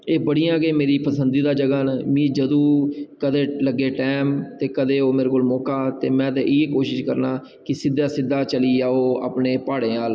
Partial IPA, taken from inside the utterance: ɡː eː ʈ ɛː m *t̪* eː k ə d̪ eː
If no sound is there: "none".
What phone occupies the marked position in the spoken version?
t̪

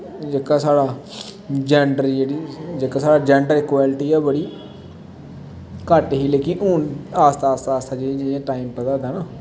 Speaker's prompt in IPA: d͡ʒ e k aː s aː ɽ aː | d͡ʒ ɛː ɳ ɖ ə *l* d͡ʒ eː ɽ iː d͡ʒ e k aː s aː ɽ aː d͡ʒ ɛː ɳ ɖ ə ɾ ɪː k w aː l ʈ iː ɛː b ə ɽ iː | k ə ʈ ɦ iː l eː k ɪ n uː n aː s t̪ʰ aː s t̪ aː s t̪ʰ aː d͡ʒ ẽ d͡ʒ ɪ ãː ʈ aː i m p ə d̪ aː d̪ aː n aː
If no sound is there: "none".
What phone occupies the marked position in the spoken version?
ɾ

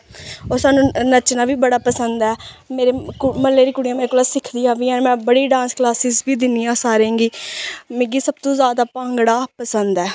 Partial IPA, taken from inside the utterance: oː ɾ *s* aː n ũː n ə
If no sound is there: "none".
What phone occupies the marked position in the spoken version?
s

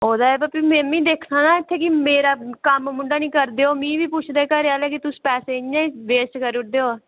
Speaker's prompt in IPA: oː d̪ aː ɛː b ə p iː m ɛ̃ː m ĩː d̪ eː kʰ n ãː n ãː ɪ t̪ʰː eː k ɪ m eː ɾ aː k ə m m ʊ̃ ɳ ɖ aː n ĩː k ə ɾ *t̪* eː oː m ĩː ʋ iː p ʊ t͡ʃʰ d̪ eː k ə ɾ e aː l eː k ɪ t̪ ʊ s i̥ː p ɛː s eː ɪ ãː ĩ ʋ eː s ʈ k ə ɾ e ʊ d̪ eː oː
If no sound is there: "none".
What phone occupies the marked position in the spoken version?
d̪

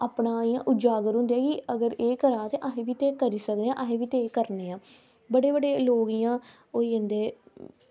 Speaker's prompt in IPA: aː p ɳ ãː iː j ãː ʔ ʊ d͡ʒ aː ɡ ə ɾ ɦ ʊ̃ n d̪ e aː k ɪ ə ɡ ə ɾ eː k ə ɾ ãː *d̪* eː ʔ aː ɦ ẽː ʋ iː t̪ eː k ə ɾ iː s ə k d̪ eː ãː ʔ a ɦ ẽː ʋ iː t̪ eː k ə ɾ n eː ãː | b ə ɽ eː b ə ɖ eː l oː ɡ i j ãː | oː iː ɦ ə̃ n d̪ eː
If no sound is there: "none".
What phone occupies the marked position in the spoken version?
t̪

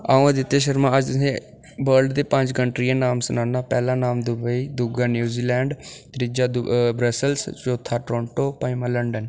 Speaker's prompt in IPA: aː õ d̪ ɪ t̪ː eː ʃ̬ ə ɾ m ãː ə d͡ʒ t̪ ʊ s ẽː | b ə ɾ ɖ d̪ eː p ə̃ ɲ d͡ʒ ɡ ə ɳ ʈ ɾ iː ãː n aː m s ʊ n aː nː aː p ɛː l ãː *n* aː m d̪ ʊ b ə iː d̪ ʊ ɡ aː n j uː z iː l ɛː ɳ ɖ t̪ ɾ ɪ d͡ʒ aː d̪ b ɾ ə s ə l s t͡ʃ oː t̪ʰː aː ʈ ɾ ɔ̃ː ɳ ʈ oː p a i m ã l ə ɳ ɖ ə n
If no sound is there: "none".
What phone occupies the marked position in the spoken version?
n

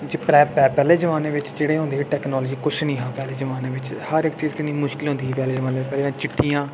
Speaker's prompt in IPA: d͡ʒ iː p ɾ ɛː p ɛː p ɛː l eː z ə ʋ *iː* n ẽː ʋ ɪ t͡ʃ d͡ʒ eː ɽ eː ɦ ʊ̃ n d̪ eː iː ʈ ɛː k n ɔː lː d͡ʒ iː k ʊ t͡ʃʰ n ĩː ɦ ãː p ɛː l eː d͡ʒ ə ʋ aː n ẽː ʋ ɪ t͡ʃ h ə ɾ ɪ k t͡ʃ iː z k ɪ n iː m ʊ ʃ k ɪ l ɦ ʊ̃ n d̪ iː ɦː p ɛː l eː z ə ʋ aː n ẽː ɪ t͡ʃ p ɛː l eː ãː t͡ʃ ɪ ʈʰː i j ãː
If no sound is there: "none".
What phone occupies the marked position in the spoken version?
aː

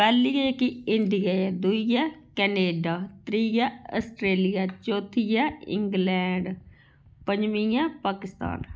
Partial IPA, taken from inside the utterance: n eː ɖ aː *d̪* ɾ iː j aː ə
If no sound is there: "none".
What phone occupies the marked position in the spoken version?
t̪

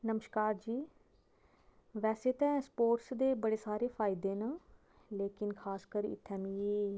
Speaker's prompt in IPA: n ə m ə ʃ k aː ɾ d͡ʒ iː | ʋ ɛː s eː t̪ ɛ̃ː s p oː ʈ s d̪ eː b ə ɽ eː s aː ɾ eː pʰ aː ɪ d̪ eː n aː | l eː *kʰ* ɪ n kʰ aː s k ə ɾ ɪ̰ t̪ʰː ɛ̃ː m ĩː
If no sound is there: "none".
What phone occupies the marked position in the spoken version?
k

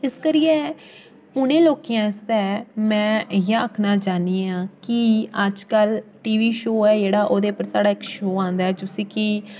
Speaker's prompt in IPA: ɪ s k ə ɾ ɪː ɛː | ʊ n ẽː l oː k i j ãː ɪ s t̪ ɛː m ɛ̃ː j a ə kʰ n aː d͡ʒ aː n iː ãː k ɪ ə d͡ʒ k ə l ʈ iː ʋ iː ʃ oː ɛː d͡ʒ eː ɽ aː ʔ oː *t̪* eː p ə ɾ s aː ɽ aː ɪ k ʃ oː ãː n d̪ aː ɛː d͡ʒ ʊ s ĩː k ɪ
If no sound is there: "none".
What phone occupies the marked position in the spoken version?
d̪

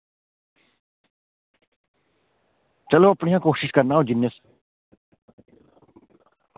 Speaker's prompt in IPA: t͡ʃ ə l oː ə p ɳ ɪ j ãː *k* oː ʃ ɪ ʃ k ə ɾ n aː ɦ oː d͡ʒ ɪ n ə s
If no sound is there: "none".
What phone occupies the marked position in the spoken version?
k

